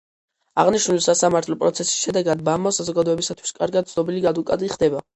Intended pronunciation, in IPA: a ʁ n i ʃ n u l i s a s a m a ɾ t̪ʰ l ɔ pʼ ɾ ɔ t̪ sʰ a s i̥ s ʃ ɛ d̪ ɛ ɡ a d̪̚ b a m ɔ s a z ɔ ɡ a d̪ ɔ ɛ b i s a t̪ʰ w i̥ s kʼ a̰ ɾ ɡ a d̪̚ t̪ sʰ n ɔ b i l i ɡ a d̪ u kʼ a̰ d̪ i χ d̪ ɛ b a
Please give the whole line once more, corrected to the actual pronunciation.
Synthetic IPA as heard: a ʁ n i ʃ n u l i s a s a m a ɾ t̪ʰ l ɔ pʼ ɾ ɔ t̪ sʰ ɛ s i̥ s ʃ ɛ d̪ ɛ ɡ a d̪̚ b a m ɔ s a z ɔ ɡ a d̪ ɔ ɛ b i s a t̪ʰ w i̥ s kʼ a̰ ɾ ɡ a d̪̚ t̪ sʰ n ɔ b i l i ɡ a d̪ u kʼ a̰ d̪ i χ d̪ ɛ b a